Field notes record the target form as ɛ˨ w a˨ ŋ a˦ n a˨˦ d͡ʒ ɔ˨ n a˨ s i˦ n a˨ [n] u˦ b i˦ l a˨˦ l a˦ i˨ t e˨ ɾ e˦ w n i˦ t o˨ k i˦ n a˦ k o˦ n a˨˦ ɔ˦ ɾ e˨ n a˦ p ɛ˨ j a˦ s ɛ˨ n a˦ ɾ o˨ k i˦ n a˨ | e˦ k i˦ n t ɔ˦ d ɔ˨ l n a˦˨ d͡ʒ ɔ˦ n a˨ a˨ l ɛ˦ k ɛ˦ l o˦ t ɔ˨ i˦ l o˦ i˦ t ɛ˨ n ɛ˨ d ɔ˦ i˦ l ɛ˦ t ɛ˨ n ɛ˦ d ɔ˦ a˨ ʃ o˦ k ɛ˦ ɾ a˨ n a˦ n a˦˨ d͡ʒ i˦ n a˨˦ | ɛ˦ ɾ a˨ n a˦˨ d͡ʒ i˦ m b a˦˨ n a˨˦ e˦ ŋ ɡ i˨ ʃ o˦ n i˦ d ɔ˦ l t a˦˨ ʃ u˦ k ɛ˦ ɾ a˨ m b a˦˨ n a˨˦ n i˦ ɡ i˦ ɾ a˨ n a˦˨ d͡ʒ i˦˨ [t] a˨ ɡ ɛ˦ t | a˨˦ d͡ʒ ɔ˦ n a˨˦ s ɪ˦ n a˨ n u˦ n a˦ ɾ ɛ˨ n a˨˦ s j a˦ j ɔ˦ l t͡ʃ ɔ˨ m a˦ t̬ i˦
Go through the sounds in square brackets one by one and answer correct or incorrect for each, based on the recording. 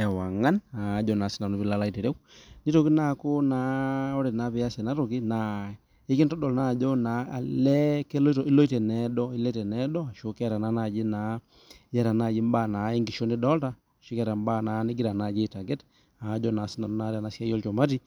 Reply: correct, correct

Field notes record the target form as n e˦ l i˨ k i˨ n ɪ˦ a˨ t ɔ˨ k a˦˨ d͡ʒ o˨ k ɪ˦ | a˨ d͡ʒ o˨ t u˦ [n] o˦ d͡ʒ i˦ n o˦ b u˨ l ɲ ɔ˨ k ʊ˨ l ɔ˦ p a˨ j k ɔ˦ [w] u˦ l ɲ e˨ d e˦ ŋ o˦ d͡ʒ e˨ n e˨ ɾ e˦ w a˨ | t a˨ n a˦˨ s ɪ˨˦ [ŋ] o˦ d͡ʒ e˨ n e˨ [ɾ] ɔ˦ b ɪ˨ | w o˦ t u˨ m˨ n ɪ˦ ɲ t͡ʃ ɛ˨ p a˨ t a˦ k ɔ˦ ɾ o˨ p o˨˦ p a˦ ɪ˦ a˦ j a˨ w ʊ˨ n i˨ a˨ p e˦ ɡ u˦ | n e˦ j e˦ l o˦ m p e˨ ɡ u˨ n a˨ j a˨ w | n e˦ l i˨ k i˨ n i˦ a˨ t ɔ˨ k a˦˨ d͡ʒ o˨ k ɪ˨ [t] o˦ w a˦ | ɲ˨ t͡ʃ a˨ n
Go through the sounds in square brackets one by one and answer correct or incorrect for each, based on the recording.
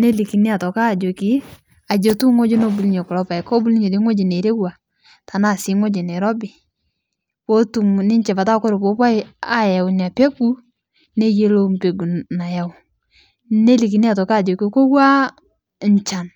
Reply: incorrect: ŋ, incorrect: b, correct, correct, incorrect: k

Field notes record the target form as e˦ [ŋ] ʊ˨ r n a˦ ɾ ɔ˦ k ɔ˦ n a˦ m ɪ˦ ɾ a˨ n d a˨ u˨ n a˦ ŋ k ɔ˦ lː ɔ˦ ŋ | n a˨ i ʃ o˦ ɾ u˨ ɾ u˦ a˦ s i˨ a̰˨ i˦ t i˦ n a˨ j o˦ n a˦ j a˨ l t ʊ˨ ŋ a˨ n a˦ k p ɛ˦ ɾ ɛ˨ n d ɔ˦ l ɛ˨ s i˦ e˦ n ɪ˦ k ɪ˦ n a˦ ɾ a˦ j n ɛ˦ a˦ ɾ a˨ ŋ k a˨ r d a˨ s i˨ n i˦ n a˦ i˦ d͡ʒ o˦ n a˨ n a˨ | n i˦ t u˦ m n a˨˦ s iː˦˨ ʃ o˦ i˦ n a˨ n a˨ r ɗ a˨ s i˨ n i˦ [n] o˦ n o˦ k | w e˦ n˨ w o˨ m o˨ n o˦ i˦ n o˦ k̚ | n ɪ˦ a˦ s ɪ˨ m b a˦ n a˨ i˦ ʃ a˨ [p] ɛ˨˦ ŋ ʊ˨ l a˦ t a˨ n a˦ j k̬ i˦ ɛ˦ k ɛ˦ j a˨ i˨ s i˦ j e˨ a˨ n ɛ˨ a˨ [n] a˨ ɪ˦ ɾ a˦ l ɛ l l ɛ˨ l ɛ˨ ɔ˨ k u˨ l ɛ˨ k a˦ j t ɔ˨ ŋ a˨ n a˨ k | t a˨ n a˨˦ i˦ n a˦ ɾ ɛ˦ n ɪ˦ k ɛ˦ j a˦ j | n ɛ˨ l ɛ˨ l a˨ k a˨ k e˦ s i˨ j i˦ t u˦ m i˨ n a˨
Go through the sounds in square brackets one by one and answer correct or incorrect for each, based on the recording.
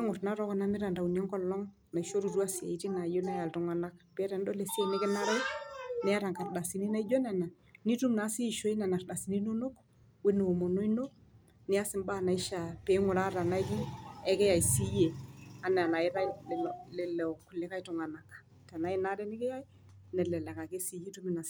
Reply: correct, correct, correct, correct

